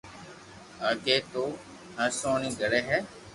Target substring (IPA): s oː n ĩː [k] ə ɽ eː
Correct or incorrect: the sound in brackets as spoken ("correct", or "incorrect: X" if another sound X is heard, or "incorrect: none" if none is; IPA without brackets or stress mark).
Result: incorrect: ɡ